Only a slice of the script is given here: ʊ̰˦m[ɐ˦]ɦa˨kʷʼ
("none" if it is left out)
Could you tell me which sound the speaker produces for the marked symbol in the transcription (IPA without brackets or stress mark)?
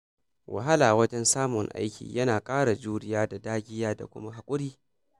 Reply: a˦